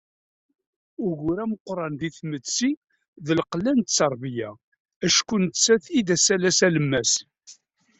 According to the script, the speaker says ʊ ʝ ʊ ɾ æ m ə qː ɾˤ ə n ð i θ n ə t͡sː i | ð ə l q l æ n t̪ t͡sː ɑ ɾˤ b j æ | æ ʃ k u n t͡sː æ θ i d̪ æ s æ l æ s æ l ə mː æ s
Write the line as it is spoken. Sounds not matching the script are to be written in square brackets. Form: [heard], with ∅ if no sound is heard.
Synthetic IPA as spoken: ʊ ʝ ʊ ɾ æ m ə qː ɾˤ [ɑ] n ð i θ [m] ə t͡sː i | ð ə l q l æ n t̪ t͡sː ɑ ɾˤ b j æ | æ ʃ k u n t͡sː æ θ i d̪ æ s æ l æ s æ l ə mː æ s